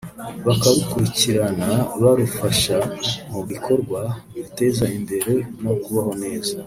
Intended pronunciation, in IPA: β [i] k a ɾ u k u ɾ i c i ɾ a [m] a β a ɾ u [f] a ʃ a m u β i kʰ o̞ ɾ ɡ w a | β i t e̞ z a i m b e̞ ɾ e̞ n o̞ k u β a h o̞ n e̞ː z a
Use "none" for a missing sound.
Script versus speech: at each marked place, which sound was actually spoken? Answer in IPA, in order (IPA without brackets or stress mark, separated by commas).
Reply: a, n, f